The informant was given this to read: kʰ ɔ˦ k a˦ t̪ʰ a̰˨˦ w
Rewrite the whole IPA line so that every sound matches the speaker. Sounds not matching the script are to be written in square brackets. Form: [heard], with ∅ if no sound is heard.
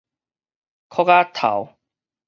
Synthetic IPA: kʰ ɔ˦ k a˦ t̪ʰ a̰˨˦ w